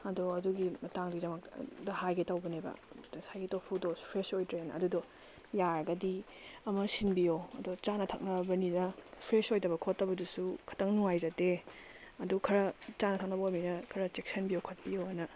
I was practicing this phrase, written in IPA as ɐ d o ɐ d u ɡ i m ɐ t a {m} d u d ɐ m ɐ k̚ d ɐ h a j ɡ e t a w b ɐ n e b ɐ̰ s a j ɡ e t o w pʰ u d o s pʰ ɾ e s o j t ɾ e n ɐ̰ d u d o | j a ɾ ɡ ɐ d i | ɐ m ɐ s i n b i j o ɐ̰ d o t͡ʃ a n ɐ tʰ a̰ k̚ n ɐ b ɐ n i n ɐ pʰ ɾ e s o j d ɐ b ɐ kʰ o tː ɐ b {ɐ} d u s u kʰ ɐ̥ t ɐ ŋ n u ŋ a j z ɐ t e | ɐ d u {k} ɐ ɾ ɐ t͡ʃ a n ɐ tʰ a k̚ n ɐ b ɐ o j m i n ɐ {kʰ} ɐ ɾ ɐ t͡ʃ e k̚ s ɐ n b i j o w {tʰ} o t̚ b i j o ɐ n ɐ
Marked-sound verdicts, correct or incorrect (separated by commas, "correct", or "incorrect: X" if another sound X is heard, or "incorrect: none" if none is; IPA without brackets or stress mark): incorrect: ŋ, correct, incorrect: kʰ, correct, incorrect: kʰ